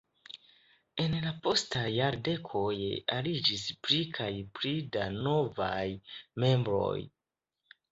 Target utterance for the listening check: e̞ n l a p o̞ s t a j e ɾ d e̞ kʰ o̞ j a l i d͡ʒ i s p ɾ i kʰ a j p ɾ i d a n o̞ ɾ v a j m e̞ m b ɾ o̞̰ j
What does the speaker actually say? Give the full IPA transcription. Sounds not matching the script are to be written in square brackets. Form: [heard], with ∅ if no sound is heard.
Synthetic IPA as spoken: e̞ n l a p o̞ s t a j [a] ɾ d e̞ kʰ o̞ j a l i d͡ʒ i s p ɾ i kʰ a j p ɾ i d a n o̞ [∅] v a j m e̞ m b ɾ o̞̰ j